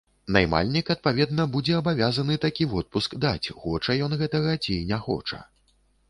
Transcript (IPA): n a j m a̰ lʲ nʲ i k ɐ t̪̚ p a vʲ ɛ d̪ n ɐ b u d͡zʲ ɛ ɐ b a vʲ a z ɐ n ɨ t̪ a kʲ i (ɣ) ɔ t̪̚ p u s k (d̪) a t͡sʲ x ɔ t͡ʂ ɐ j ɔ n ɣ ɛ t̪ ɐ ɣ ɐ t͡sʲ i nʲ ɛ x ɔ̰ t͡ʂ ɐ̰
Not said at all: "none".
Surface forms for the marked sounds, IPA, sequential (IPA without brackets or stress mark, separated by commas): v, d̪